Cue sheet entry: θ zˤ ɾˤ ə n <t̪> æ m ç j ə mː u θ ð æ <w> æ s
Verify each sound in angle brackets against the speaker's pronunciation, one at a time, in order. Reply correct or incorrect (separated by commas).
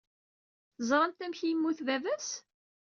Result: correct, incorrect